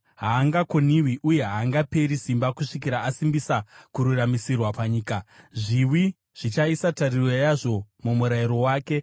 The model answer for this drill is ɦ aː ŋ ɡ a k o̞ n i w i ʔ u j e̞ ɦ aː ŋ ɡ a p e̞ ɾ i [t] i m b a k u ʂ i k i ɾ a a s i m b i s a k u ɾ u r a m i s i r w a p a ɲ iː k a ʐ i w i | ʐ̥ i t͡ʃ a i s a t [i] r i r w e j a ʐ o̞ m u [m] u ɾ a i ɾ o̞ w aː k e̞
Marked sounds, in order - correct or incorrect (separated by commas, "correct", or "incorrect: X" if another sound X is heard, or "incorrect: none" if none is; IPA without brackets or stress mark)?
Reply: incorrect: s, incorrect: a, correct